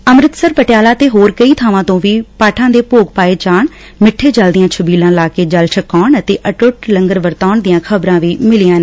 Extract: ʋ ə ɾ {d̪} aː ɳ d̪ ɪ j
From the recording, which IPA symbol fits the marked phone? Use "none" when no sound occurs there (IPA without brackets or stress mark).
t̪